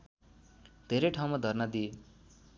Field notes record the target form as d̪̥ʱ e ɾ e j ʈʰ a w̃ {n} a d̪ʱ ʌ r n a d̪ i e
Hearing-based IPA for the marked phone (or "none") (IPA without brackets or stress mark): m